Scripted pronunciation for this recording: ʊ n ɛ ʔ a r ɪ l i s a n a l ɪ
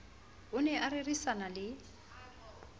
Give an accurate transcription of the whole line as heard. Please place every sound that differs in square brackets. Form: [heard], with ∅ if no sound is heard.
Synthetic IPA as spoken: ʊ n ɛ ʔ a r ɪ [r] i s a n a l ɪ